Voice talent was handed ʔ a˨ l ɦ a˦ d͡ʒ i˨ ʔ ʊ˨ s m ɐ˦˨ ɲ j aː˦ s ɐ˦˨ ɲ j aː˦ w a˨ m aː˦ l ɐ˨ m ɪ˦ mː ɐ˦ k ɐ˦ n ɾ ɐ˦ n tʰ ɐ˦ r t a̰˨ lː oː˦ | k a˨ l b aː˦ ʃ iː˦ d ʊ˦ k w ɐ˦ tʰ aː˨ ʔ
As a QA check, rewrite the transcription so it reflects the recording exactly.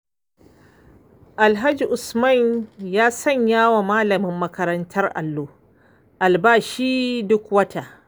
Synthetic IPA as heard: ʔ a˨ l ɦ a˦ d͡ʒ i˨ ʔ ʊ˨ s m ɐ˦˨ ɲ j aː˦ s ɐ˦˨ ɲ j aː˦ w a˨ m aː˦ l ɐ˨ m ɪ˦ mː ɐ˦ k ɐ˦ ɾ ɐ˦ n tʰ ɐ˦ r ʔ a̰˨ lː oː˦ | ʔ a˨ l b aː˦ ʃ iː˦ d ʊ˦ k w ɐ˦ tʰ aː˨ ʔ